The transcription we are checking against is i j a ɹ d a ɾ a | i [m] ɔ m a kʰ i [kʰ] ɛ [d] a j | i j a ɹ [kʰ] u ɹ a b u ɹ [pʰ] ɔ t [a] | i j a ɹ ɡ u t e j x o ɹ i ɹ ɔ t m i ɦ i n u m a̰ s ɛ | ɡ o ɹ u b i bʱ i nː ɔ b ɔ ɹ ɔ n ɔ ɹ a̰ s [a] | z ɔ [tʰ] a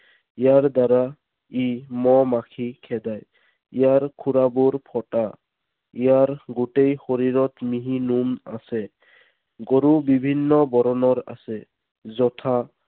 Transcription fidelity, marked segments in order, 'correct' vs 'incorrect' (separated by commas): correct, correct, correct, correct, correct, correct, incorrect, correct